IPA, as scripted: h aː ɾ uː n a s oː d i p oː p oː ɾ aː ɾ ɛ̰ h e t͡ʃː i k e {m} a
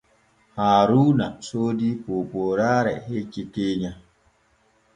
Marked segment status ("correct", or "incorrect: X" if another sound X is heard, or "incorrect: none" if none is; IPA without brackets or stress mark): incorrect: ɲ